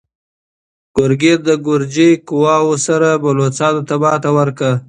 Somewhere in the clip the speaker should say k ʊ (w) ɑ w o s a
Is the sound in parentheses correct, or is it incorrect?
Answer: correct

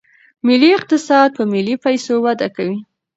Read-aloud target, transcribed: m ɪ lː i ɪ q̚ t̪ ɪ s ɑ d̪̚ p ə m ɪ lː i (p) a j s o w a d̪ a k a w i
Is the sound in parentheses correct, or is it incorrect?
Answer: correct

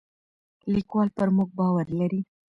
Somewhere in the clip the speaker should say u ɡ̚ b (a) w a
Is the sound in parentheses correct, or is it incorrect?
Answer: incorrect: ɑ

